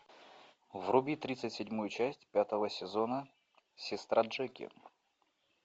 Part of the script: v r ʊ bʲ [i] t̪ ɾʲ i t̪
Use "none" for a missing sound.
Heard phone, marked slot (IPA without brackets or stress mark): i